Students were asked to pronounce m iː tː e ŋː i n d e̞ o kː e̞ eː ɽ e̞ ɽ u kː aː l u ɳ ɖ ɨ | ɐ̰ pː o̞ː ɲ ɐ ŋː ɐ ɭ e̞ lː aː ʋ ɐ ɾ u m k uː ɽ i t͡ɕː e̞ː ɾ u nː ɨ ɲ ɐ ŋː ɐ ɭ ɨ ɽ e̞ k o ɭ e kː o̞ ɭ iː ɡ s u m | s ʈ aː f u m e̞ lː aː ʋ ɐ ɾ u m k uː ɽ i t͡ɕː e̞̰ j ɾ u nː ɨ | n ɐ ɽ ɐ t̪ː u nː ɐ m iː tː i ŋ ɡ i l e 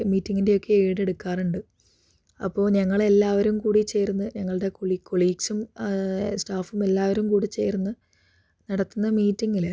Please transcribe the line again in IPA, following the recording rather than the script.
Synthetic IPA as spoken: m iː tː i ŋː i n d e̞ o kː e̞ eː ɽ e̞ ɽ u kː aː r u ɳ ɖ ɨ | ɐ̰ pː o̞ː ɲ ɐ ŋː ɐ ɭ e̞ lː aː ʋ ɐ ɾ u m k uː ɽ i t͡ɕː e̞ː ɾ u nː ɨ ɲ ɐ ŋː ɐ ɭ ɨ ɽ e̞ k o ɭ i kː o̞ ɭ iː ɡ s u m | s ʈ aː f u m e̞ lː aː ʋ ɐ ɾ u m k uː ɽ i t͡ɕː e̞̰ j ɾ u nː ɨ | n ɐ ɽ ɐ t̪ː u nː ɐ m iː tː i ŋ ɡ i l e

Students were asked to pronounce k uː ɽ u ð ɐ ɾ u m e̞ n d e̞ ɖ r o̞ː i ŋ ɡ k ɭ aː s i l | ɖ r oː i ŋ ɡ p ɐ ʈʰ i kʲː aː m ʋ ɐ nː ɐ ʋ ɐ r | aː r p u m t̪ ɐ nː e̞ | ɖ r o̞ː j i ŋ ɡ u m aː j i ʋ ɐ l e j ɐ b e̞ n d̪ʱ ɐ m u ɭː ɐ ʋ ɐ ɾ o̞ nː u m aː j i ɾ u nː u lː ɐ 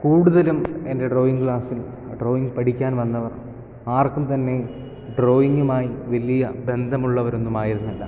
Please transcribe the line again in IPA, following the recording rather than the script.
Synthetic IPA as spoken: k uː ɽ u ð ɐ l u m e̞ n d e̞ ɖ r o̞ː i ŋ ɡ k ɭ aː s i l | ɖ r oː i ŋ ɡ p ɐ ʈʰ i kʲː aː n ʋ ɐ nː ɐ ʋ ɐ r | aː r k u m t̪ ɐ nː e̞ | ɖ r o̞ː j i ŋ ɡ u m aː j i ʋ ɐ l i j ɐ b e̞ n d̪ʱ ɐ m u ɭː ɐ ʋ ɐ ɾ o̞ nː u m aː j i ɾ u nː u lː ɐ

